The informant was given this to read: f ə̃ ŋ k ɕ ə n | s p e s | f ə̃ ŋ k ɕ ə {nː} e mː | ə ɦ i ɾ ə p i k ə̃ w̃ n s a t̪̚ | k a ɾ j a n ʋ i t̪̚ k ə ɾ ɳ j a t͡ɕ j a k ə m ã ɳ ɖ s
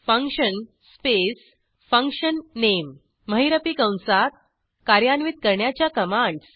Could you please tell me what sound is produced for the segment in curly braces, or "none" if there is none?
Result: nː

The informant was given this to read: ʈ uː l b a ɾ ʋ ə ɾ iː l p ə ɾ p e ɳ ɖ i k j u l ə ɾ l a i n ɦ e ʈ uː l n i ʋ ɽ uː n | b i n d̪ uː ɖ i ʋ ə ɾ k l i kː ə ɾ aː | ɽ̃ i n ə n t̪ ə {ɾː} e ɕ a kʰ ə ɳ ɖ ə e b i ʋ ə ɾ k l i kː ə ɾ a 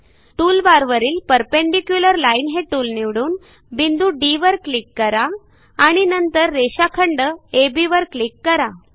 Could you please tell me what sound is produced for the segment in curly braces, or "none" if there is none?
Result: ɾː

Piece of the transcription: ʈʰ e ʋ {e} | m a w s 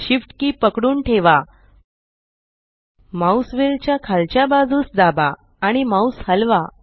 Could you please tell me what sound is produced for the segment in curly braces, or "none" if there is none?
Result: a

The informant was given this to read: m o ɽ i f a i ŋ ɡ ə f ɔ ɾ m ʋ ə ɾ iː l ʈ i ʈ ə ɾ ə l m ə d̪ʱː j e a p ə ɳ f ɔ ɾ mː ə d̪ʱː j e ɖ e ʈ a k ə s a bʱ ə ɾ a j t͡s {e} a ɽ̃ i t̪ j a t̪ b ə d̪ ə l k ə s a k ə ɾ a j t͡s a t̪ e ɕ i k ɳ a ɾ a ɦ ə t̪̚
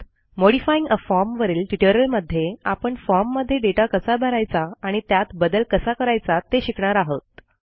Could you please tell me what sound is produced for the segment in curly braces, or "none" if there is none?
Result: a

